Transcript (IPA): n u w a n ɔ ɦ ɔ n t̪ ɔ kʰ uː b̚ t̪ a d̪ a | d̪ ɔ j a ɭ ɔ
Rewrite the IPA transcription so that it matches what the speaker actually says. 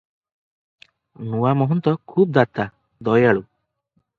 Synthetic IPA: n u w a m ɔ ɦ ɔ n t̪ ɔ kʰ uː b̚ d̪ a t̪ a | d̪ ɔ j a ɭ u